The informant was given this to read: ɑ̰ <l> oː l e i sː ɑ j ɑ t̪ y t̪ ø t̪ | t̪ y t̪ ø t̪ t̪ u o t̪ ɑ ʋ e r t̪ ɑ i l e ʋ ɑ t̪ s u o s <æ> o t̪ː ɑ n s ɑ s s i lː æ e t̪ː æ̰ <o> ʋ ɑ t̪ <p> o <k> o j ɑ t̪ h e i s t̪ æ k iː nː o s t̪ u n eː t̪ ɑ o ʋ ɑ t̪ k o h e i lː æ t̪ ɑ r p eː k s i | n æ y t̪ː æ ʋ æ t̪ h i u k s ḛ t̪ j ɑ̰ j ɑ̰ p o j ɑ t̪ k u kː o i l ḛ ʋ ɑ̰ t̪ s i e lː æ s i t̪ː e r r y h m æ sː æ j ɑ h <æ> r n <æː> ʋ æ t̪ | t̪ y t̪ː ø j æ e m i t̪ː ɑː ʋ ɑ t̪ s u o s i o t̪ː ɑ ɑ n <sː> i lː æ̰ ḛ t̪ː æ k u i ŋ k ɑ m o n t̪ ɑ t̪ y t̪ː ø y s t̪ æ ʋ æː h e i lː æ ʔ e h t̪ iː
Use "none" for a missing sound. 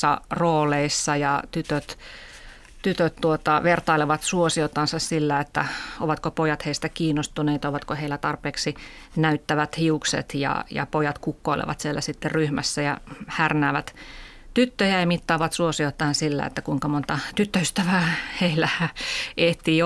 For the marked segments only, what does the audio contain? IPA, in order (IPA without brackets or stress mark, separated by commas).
r, i, o, k, p, æ, æː, s